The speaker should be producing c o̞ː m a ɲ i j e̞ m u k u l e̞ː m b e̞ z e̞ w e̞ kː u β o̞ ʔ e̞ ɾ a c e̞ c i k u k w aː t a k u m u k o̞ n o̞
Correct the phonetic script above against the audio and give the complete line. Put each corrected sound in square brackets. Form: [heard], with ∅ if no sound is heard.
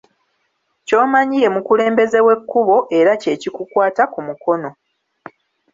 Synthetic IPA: c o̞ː m a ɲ i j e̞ m u k u l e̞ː m b e̞ z e̞ w e̞ kː u β o̞ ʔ e̞ ɾ a c e̞ c i k u k w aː t a k u m u k o̞ n o̞